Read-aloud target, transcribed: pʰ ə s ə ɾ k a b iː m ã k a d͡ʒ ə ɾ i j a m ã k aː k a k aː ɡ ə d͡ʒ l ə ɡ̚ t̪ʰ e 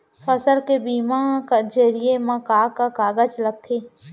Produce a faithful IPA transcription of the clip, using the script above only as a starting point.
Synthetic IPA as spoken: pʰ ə s ə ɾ k e b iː m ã k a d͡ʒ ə ɾ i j e m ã k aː k a k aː ɡ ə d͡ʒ l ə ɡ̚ t̪ʰ e